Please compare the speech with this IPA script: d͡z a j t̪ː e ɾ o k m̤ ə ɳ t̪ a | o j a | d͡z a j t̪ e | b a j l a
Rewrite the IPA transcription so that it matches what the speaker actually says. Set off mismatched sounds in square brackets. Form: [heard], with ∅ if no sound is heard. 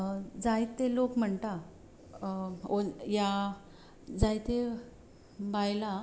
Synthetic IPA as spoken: d͡z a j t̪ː e [l] o k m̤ ə ɳ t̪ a | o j a | d͡z a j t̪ e | b a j l a